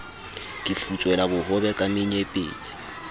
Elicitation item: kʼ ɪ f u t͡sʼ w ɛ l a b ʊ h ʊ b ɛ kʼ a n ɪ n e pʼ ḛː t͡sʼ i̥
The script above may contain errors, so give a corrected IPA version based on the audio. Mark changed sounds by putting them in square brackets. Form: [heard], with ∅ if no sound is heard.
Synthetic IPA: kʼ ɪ f u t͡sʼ w ɛ l a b ʊ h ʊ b ɛ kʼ a [m] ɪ [ɲ] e pʼ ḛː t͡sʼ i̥